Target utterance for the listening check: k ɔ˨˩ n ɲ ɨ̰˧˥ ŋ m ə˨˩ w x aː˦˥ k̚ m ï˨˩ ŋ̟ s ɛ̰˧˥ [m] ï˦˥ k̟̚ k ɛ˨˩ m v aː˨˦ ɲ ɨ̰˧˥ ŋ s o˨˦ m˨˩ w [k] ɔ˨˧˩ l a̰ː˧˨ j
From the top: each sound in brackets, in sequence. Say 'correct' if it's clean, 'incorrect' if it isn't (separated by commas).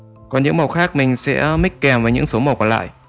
correct, correct